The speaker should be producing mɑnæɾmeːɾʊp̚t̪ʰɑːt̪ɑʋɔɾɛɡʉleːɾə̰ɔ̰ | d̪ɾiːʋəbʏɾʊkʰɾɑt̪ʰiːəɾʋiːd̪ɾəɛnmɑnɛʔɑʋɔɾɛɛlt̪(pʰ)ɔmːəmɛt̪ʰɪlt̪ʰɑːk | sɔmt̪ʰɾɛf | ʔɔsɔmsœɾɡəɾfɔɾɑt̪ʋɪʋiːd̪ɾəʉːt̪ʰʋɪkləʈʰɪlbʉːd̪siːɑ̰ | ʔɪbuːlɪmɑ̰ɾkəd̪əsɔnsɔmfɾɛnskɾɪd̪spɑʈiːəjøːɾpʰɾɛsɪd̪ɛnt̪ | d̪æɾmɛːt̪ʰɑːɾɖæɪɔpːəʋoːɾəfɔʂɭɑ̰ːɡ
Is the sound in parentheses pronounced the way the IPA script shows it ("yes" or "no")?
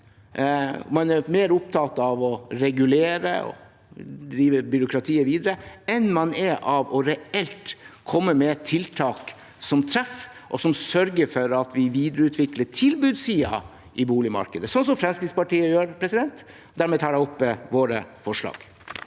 no